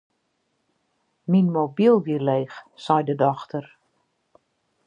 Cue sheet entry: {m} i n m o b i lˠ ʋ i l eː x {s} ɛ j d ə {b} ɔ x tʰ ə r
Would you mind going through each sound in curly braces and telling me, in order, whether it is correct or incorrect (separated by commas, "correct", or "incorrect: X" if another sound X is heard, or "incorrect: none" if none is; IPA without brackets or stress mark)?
correct, correct, incorrect: d